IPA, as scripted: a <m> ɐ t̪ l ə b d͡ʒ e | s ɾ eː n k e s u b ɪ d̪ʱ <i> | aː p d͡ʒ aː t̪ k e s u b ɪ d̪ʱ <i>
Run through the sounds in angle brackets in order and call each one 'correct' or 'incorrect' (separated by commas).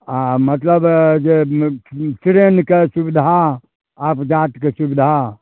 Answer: correct, incorrect, incorrect